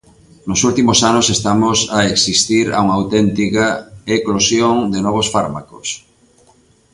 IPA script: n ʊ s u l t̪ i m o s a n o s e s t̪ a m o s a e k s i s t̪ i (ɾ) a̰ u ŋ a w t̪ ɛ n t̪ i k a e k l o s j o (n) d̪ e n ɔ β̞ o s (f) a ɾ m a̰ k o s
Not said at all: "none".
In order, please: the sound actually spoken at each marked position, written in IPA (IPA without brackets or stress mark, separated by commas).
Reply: ɾ, ŋ, f